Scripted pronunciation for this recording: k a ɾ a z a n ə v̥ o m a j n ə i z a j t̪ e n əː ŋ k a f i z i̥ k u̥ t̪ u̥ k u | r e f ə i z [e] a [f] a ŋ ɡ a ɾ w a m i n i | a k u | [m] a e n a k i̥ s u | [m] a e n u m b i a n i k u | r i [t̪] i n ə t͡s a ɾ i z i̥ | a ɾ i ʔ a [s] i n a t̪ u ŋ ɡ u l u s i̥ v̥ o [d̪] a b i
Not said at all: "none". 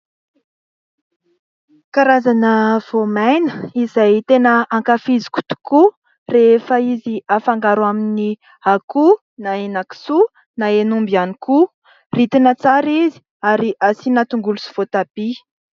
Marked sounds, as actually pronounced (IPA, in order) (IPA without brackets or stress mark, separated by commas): i, f, n, n, t̪, s, t̪